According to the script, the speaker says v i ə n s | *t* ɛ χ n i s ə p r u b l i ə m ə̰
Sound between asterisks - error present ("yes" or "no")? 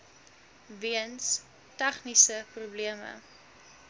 no